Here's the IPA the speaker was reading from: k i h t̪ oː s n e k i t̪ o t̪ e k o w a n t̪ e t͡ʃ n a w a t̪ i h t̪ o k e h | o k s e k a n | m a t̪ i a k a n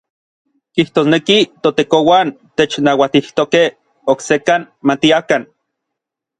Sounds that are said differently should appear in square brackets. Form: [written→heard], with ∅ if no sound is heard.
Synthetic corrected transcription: k i h t̪ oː s n e k i t̪ o t̪ e k o w a n t̪ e t͡ʃ n a w a t̪ i h t̪ o k e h | o k s e k a n | m a t̪ i a k a n

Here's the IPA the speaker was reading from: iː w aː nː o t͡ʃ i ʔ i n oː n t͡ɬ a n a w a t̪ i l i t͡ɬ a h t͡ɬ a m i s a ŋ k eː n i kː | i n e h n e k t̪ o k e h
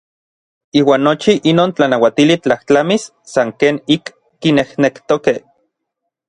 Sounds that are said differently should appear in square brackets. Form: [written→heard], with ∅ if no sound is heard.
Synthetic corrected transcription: iː w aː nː o t͡ʃ i ʔ i n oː n t͡ɬ a n a w a t̪ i l i t͡ɬ a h t͡ɬ a m i [s→sː] a ŋ k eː n i kː | i n e h n e k t̪ o k e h

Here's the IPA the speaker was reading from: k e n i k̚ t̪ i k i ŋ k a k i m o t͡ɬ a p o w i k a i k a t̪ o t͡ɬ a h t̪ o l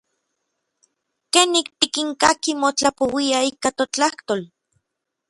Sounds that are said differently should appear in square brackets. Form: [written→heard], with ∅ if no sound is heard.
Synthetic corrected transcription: k e n i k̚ t̪ i k i ŋ k a k i m o t͡ɬ a p o w i [k→∅] a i k a t̪ o t͡ɬ a h t̪ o l

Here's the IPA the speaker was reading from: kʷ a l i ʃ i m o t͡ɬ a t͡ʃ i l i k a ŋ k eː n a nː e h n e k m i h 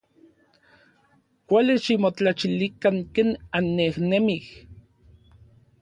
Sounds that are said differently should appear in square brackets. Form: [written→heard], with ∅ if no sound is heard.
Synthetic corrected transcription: kʷ a l i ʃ i m o t͡ɬ a t͡ʃ i l i k a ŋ k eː n a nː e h n e [k→∅] m i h

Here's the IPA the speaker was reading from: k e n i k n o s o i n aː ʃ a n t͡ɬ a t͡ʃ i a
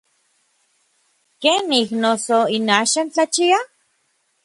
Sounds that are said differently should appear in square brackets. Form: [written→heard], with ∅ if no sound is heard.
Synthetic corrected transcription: k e n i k n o s o i n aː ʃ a n t͡ɬ a t͡ʃ i a

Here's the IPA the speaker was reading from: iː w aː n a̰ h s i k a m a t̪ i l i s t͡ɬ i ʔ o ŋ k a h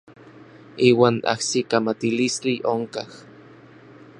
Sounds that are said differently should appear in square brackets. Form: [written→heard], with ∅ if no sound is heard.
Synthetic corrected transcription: iː w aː n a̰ h s i k a m a t̪ i l i s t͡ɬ i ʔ o ŋ k a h

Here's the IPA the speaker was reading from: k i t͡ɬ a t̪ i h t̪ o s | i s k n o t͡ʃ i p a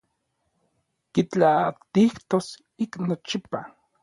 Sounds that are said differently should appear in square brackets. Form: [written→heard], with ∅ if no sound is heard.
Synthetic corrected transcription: k i t͡ɬ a t̪ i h t̪ o s | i [s→∅] k n o t͡ʃ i p a

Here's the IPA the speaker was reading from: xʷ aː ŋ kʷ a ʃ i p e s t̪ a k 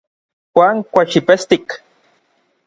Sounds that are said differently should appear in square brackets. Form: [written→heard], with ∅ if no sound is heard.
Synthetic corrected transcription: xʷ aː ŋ kʷ a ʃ i p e s t̪ [a→i] k

